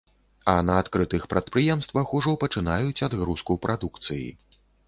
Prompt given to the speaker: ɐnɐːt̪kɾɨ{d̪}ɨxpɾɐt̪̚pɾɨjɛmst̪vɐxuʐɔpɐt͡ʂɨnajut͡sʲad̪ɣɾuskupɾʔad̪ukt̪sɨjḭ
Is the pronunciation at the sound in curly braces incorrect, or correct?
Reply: incorrect: t̪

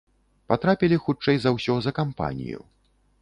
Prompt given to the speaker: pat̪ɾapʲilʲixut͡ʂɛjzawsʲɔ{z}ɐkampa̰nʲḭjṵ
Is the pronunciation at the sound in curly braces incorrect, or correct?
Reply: correct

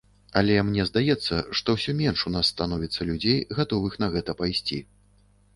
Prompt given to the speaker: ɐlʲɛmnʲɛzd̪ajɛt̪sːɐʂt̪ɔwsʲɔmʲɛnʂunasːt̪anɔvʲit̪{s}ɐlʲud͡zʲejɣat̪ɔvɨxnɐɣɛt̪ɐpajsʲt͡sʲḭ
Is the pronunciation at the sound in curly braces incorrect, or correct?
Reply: incorrect: sː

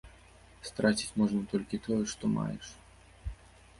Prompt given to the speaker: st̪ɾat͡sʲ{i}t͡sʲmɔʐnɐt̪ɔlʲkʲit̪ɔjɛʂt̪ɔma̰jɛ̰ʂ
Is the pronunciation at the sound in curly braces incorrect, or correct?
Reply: correct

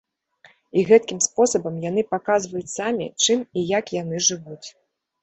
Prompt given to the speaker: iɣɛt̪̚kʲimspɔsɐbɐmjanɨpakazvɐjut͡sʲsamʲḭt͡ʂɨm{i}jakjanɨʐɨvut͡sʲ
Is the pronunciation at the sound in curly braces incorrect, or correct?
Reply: correct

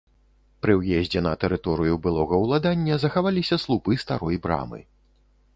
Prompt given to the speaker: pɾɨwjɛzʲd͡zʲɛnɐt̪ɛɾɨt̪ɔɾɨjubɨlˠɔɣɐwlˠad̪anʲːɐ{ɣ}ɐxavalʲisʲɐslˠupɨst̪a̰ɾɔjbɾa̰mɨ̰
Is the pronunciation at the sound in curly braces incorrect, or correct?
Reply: incorrect: z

